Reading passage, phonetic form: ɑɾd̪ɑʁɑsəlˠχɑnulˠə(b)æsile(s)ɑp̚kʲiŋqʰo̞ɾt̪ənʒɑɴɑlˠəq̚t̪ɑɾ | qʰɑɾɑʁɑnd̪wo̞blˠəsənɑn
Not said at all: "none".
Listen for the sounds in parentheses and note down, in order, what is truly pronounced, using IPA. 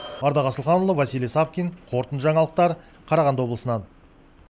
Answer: v, s

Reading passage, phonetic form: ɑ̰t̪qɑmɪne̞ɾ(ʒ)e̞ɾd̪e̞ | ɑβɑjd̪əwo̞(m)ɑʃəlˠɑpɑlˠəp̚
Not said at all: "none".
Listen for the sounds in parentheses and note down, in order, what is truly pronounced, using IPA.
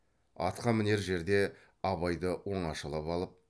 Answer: ʒ, ɴ

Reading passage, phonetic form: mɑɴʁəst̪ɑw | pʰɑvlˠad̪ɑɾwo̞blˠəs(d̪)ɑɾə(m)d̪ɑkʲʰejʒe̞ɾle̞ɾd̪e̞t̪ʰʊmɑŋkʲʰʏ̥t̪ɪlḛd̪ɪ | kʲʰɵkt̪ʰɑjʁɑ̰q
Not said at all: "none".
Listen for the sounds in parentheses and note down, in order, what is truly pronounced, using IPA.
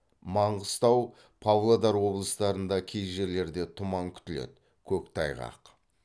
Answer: t̪, n

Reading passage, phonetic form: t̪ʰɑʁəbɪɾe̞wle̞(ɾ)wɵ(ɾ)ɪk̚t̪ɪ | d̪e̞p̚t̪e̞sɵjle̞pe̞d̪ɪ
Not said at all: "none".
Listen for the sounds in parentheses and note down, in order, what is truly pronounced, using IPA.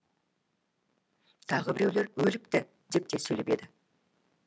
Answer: ɾ, l

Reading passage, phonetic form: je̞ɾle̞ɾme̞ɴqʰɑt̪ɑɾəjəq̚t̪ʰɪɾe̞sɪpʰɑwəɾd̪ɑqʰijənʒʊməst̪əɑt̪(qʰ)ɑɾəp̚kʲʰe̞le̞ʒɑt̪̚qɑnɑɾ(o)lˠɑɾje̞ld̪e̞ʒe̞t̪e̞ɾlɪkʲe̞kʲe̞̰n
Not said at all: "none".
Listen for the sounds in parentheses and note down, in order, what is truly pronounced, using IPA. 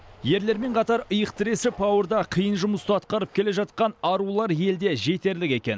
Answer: q, u

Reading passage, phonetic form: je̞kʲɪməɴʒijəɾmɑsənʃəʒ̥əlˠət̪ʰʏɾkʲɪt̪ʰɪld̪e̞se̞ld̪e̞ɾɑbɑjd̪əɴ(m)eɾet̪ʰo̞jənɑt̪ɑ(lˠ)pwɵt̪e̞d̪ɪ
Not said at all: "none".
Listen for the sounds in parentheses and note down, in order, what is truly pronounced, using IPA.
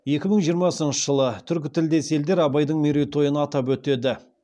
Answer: m, none

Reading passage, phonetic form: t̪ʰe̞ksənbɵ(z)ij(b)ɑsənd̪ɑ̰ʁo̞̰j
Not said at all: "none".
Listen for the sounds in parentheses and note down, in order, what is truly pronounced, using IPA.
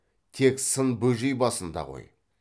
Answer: ʒ, b

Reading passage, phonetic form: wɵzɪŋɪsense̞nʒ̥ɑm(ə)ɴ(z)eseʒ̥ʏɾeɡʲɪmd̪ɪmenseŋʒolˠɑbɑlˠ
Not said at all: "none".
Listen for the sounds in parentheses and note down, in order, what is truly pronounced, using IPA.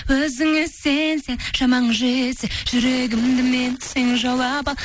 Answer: ɑ, ʒ

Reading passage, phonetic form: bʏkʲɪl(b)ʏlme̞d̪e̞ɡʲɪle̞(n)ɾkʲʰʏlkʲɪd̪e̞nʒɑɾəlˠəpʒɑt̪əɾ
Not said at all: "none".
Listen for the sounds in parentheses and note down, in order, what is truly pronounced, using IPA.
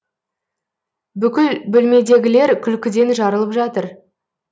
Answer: b, none

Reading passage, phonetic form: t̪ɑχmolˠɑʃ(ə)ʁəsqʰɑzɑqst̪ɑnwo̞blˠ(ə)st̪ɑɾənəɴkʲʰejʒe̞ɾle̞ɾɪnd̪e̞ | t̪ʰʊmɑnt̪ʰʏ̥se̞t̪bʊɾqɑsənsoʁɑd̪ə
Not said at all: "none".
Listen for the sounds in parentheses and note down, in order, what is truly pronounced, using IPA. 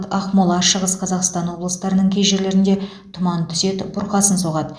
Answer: ə, ə

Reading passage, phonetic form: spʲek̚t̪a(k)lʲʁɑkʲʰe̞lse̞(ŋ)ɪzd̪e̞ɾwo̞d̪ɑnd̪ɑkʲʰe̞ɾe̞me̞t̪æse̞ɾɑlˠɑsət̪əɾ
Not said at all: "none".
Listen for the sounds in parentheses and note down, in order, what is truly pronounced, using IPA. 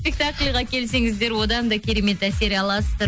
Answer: k, ŋ

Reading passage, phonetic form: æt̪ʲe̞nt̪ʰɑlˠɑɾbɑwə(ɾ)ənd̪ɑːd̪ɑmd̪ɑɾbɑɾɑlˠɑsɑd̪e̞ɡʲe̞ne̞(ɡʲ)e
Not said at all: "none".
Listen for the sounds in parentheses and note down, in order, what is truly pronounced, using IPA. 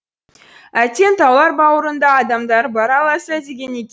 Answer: ɾ, kʲ

